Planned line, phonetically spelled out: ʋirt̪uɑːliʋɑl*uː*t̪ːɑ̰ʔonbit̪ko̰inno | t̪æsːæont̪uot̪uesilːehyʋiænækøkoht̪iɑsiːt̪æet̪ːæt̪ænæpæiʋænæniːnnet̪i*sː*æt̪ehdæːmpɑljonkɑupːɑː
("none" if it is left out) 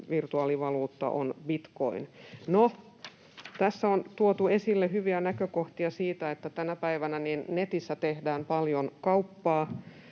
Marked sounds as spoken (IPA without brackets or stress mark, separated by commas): uː, sː